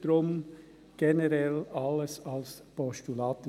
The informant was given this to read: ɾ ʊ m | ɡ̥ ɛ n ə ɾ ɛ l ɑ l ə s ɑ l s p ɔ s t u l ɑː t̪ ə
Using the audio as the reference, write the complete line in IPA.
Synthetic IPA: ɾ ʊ m | ɡ̥ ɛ n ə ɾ ɛ l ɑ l ə s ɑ l s p ɔ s t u l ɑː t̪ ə